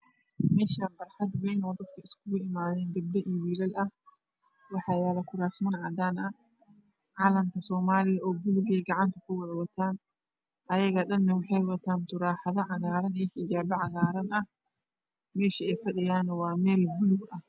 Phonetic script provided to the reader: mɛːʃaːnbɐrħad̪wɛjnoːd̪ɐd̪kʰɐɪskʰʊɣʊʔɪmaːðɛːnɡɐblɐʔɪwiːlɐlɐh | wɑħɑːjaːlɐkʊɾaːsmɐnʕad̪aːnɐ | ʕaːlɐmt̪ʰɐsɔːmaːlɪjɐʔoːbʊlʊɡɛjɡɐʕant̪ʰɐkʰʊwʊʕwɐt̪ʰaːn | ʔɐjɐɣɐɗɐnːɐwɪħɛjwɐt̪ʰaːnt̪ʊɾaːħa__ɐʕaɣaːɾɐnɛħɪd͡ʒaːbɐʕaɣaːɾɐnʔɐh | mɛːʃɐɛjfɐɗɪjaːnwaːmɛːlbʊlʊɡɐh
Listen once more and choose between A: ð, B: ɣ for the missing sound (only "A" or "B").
A